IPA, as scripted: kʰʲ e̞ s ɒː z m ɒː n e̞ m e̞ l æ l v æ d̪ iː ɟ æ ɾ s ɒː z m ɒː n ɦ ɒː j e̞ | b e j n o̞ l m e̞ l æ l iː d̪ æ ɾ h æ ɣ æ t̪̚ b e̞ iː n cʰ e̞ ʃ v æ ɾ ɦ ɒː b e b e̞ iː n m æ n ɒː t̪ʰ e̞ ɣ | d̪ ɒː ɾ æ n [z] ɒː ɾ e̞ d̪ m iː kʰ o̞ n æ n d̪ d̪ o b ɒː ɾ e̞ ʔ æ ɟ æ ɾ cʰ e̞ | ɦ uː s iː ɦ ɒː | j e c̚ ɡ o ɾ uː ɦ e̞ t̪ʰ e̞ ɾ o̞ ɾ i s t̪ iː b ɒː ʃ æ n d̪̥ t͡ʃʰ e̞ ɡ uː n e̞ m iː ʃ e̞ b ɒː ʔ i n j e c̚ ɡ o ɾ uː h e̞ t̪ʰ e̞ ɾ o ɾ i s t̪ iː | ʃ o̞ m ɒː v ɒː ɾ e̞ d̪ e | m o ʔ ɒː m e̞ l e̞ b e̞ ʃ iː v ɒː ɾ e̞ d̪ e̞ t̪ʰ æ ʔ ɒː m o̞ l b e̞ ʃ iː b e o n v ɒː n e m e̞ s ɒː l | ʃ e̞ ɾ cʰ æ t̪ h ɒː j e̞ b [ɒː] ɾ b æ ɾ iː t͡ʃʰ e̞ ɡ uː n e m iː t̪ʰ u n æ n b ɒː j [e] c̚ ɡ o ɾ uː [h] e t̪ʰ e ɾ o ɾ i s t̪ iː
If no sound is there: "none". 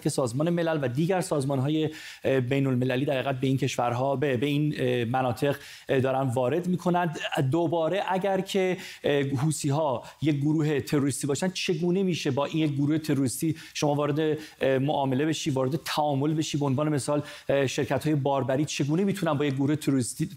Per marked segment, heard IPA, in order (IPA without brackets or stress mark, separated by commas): v, ɒː, e, h